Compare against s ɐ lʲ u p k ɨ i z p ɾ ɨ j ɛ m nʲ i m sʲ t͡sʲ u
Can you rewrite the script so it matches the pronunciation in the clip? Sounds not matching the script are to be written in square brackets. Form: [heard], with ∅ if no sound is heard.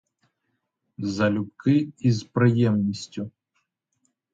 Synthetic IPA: [z] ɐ lʲ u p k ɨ i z p ɾ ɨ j ɛ m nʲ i [∅] sʲ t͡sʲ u